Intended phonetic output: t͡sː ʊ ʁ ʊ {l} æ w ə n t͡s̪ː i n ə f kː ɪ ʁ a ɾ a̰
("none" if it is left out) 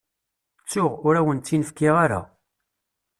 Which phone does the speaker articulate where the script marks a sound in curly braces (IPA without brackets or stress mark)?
ɾ